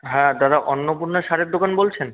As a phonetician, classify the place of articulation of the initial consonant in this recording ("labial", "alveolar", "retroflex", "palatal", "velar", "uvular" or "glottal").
glottal